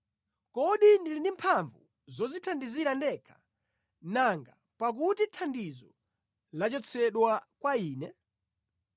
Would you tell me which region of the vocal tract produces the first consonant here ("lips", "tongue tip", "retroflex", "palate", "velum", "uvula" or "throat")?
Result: velum